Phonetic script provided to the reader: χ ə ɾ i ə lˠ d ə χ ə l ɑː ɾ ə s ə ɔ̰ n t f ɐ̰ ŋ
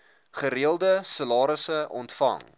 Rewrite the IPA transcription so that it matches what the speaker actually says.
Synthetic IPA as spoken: χ ə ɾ i ə lˠ d ə s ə l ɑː ɾ ə s ə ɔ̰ n t f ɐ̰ ŋ